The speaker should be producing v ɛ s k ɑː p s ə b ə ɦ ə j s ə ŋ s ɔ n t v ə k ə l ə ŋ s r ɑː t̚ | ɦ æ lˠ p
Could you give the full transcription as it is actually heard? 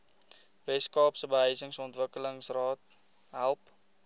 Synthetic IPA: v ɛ s k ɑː p s ə b ə ɦ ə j s ə ŋ s ɔ n t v ə k ə l ə ŋ s r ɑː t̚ | ɦ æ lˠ p